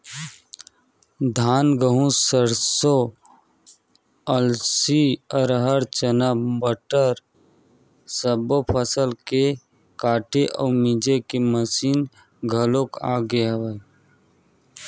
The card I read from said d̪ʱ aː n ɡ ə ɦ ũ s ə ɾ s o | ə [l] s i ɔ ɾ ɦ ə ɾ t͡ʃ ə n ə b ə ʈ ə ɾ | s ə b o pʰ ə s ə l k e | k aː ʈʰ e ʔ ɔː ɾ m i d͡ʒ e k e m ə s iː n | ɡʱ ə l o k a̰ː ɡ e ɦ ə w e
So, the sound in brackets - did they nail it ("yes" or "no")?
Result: yes